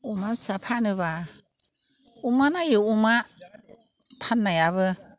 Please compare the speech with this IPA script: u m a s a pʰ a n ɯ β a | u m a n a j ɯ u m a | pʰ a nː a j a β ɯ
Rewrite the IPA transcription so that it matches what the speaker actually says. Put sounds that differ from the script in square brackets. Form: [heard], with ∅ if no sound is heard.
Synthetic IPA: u m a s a pʰ a n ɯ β a | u m a n a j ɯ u m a | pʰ a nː a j a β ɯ